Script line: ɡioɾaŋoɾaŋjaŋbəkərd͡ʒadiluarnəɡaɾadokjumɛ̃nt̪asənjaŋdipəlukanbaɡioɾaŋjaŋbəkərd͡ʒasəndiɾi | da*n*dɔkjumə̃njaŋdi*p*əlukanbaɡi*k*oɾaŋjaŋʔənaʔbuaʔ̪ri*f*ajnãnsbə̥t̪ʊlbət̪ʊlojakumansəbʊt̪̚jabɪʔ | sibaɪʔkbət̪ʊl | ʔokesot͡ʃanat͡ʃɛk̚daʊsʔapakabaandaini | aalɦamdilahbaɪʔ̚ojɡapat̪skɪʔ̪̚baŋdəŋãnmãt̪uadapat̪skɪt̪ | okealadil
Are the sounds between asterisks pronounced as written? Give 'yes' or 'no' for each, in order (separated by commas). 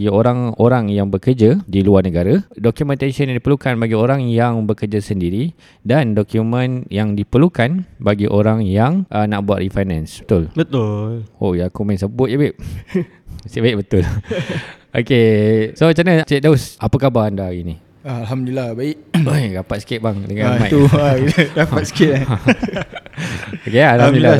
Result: yes, yes, no, yes